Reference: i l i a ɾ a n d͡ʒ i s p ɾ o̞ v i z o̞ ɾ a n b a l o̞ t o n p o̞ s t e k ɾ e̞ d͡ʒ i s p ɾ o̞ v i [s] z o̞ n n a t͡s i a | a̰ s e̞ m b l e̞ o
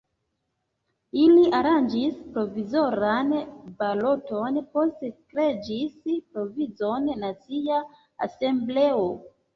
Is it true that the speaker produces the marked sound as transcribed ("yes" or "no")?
no